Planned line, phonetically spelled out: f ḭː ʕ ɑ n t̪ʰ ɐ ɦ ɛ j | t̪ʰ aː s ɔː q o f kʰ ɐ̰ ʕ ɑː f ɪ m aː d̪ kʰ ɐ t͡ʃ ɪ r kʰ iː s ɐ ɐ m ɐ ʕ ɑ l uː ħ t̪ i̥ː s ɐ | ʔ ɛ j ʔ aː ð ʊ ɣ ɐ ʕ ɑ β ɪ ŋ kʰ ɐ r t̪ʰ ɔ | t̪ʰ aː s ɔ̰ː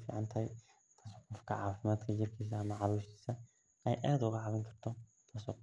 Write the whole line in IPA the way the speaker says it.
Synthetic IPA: f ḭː ʕ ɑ n t̪ʰ ɐ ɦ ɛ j | t̪ʰ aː s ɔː q ɔ f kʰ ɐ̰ ʕ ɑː f ɪ m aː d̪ kʰ ɐ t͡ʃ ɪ r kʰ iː s ɐ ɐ m ɐ ʕ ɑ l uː ʃ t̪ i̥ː s ɐ | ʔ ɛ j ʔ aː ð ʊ ɣ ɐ ʕ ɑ β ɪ ŋ kʰ ɐ r t̪ʰ ɔ | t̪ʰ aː s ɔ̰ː